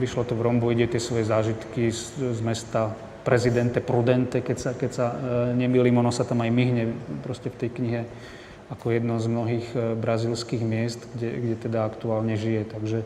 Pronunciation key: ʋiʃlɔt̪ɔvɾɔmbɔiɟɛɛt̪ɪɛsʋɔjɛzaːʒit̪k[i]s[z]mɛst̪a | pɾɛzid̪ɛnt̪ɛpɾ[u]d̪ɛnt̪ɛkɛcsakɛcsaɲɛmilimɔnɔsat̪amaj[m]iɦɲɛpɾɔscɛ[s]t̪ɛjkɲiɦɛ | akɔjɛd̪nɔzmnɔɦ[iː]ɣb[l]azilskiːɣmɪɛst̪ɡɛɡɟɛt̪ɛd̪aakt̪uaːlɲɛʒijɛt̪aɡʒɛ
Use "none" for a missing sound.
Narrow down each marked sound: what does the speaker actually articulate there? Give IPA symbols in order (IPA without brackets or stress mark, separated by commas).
i, z, u, m, f, iː, ɾ